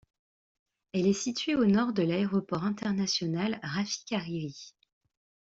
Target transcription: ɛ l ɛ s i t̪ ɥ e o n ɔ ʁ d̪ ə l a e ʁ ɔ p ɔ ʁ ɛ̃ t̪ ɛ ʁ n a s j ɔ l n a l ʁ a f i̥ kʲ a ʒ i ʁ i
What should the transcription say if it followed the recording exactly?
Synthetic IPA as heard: ɛ l ɛ s i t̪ ɥ e o n ɔ ʁ d̪ ə l a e ʁ ɔ p ɔ ʁ ɛ̃ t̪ ɛ ʁ n a s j ɔ n a l ʁ a f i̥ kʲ a ʁ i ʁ i